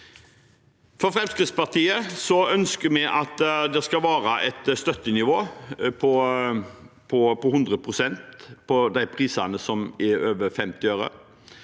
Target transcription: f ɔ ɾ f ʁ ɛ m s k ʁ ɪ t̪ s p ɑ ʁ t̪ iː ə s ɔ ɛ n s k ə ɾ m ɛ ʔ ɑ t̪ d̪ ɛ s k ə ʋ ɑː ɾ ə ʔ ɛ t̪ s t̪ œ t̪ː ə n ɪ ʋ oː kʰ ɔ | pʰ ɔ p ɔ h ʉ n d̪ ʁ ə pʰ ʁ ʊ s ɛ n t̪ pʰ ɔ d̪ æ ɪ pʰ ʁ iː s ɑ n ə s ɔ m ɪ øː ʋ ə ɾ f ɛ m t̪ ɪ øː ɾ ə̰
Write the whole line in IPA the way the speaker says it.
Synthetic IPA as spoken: f ɔ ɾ f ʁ ɛ m s k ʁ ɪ t̪ s p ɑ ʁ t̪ iː ə s ɔ œ n s k ə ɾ m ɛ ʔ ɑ t̪ d̪ ɛ s k ɑ ʋ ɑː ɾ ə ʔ ɛ t̪ s t̪ œ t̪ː ə n ɪ ʋ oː pʰ ɔ | pʰ ɔ p ɔ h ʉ n d̪ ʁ ə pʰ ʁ ʊ s ɛ n t̪ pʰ ɔ d̪ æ ɪ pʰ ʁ iː s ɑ n ə s ɔ m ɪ øː ʋ ə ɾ f ɛ m t̪ ɪ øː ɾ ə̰

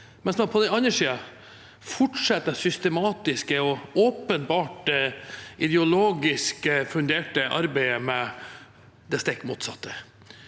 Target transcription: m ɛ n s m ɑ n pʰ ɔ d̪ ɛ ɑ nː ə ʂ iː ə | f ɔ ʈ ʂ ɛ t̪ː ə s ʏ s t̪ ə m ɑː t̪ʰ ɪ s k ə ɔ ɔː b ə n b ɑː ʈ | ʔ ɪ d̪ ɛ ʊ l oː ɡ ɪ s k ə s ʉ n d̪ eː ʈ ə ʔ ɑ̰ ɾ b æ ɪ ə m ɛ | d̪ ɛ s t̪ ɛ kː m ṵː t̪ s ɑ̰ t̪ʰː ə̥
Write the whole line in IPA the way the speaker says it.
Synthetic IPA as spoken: m ɛ n s m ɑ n pʰ ɔ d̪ ɛ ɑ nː ə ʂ iː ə | f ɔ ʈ ʂ ɛ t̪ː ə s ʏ s t̪ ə m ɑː t̪ ɪ s k ə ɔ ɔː p ə n b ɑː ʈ | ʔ ɪ d̪ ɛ ʊ l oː ɡ ɪ s k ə f ʉ n d̪ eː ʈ ə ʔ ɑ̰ ɾ b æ ɪ ə m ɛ | d̪ ɛ s t̪ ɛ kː m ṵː t̪ s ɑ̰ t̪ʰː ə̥

